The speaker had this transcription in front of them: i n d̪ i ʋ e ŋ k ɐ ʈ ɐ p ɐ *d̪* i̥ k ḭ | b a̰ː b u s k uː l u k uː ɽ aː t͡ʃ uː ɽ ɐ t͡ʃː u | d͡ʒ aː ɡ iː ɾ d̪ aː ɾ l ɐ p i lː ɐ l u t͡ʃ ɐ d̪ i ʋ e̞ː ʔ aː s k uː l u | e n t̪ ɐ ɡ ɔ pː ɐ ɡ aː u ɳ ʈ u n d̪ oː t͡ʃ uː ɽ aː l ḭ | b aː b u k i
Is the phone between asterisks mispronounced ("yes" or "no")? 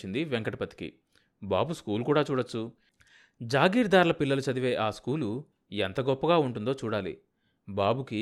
yes